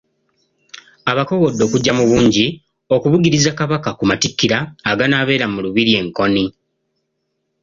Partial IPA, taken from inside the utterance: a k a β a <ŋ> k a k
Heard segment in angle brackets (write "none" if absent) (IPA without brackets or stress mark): none